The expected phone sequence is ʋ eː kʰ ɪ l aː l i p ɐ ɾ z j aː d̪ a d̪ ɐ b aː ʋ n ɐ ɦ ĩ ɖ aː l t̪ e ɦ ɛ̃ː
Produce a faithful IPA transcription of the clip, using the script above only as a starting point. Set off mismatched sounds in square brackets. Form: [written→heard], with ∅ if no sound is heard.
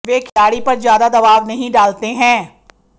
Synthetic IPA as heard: ʋ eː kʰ ɪ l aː [l→ɽ] i p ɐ ɾ z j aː d̪ a d̪ ɐ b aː ʋ n ɐ ɦ ĩ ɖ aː l t̪ e ɦ ɛ̃ː